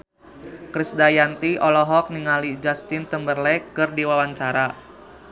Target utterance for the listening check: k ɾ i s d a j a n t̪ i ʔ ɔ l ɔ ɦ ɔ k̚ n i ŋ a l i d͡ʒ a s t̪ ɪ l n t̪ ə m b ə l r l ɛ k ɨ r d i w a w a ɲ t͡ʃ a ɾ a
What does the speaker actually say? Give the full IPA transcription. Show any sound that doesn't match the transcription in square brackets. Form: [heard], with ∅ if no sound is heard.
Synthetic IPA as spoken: k ɾ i s d a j a n t̪ i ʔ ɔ l ɔ ɦ ɔ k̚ n i ŋ a l i d͡ʒ a s t̪ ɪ [∅] n t̪ ə m b ə [∅] r l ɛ k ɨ r d i w a w a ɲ t͡ʃ a ɾ a